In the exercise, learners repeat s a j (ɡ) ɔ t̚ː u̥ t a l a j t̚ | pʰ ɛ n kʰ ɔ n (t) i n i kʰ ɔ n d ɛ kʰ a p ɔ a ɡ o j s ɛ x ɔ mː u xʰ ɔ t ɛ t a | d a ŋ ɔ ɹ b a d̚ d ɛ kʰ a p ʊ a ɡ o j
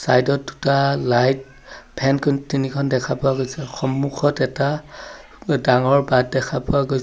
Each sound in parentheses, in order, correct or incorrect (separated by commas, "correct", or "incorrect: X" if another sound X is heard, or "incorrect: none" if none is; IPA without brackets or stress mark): incorrect: d, correct